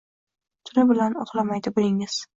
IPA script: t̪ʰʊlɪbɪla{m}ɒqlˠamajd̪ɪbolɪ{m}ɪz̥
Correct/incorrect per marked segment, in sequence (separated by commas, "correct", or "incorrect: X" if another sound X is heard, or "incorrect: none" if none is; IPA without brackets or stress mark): incorrect: n, incorrect: ŋ